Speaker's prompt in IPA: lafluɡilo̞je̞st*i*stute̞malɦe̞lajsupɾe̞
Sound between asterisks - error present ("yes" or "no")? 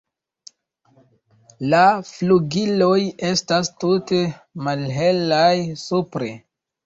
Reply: yes